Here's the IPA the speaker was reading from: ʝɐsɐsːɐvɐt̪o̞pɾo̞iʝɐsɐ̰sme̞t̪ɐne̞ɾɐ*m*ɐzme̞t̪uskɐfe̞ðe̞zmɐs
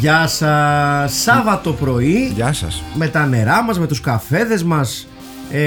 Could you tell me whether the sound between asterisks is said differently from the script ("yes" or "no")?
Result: no